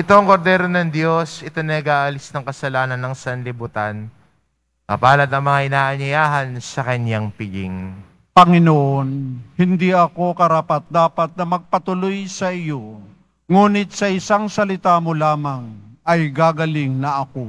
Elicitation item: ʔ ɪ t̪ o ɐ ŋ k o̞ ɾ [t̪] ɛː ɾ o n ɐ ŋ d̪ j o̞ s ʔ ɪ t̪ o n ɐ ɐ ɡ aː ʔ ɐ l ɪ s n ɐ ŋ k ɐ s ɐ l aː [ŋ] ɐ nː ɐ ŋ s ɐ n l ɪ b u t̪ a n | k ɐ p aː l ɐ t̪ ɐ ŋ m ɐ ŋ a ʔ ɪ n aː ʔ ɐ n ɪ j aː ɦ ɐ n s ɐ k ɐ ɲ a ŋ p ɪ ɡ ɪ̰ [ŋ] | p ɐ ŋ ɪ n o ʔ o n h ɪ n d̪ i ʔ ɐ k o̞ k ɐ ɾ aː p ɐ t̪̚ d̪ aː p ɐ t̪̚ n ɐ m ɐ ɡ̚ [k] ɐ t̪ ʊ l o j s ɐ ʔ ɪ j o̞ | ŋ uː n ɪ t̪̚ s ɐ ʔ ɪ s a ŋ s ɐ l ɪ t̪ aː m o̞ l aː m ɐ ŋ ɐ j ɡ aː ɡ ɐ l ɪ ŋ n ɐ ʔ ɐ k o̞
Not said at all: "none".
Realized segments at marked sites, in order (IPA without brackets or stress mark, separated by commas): d̪, n, ŋ, p